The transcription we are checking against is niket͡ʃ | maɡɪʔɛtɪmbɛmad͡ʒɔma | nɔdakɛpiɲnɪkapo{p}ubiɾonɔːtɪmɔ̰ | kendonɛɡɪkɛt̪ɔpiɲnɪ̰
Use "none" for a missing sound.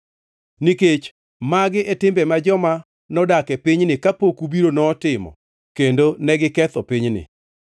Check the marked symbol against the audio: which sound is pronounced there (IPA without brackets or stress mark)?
k